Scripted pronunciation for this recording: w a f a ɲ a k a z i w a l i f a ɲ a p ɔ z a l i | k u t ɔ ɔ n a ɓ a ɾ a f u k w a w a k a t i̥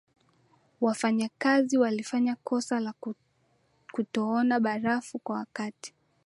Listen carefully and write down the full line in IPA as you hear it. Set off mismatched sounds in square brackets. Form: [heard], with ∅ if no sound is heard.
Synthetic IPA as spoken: w a f a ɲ a k a z i w a l i f a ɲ a [k] ɔ [s] a l [a] | k u t ɔ ɔ n a ɓ a ɾ a f u k w a w a k a t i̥